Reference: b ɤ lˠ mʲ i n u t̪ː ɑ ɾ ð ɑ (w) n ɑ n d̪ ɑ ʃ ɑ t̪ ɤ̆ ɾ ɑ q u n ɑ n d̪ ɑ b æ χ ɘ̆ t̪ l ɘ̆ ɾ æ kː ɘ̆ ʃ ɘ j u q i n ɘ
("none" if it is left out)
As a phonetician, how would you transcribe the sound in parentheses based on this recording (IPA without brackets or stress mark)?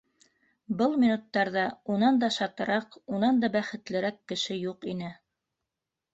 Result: u